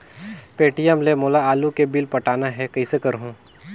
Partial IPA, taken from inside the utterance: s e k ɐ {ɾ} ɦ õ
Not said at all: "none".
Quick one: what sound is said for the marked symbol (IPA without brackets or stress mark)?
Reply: ɾ